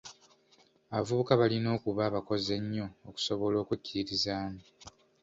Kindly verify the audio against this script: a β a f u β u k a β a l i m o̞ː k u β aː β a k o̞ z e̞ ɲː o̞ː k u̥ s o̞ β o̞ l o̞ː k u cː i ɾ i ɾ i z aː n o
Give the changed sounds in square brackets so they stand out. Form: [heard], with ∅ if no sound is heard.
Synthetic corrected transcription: a β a [v] u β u k a β a l i [n] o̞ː k u β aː β a k o̞ z e̞ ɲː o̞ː k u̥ s o̞ β o̞ l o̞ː k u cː i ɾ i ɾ i z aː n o